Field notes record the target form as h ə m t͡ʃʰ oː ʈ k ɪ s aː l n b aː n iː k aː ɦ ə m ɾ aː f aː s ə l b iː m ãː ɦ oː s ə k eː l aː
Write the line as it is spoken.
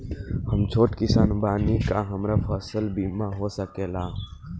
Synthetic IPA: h ə m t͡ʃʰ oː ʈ k ɪ s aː n b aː n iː k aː ɦ ə m ɾ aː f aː s ə l b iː m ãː ɦ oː s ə k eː l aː

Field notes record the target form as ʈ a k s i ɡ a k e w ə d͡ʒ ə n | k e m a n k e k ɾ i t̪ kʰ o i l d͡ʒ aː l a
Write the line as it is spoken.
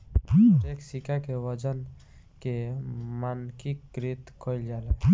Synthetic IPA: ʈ e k s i k a k e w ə d͡ʒ ə n | k e m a n k i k ɾ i t̪ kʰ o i l d͡ʒ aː l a

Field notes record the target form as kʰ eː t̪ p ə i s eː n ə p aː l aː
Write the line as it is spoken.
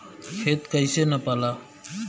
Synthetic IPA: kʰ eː t̪ k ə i s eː n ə p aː l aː

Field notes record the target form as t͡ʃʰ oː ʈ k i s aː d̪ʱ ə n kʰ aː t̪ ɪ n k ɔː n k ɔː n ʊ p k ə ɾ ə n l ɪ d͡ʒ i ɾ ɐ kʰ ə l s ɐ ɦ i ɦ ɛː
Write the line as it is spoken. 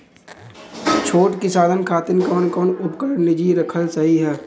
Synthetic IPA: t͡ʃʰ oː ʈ k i s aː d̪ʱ ə n kʰ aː t̪ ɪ n k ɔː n k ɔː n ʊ p k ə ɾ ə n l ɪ d͡ʒ i ɾ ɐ kʰ ə l s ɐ ɦ i ɦ ɛː

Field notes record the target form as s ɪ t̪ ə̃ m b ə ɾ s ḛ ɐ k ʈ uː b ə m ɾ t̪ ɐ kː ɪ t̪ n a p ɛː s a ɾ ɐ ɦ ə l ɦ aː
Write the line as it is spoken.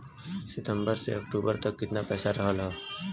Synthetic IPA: s ɪ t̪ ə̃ m b ə ɾ s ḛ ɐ k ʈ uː b ə ɾ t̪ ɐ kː ɪ t̪ n a p ɛː s a ɾ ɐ ɦ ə l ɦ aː

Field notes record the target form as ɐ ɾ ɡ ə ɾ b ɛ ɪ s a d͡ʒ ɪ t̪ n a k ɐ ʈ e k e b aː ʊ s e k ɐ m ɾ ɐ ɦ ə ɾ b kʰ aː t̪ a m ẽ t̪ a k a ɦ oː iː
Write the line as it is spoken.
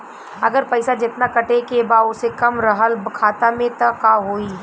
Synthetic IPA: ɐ ɡ ə ɾ p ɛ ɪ s a d͡ʒ ɪ t̪ n a k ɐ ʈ e k e b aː ʊ s e k ɐ m ɾ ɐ ɦ ə l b kʰ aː t̪ a m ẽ t̪ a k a ɦ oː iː

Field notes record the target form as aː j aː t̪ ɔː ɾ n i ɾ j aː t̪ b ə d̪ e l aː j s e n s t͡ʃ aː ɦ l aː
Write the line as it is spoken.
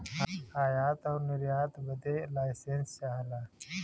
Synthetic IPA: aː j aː t̪ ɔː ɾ n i ɾ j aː t̪ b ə d̪ e l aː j s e n s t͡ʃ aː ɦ l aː

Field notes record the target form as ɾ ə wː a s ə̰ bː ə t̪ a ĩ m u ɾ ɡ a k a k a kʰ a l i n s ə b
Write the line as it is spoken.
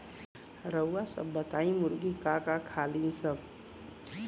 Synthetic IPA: ɾ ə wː a s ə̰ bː ə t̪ a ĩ m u ɾ ɡ i k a k a kʰ a l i n s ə b

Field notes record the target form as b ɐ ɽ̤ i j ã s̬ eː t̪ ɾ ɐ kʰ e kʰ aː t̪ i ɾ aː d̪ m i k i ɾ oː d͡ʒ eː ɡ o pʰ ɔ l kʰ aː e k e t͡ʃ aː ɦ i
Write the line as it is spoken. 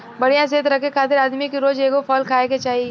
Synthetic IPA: b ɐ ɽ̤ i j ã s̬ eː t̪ ɾ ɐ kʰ e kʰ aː t̪ ɪ ɾ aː d̪ m i k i ɾ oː d͡ʒ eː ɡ o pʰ ɔː l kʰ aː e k e t͡ʃ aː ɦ i

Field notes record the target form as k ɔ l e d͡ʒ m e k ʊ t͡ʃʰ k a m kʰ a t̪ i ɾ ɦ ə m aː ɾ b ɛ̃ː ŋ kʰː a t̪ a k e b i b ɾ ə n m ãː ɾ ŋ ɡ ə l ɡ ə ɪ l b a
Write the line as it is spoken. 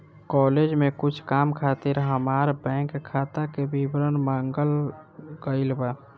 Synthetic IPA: k ɔ l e d͡ʒ m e k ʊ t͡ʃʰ k a m kʰ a t̪ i ɾ ɦ ə m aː ɾ b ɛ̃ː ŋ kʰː a t̪ a k e b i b ɾ ə n m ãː ŋ ɡ ə l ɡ ə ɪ l b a

